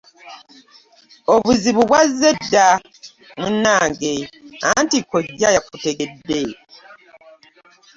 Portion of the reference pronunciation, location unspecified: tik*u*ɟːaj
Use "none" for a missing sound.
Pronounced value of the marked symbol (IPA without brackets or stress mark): o